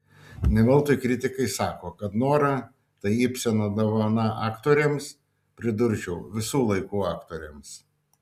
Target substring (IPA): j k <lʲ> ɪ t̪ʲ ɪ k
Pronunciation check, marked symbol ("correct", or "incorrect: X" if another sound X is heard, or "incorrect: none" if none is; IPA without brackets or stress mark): incorrect: ɾʲ